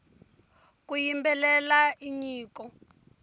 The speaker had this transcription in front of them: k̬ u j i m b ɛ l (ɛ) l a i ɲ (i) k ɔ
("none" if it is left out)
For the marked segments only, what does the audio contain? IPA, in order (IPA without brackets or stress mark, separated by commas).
ɛ, iː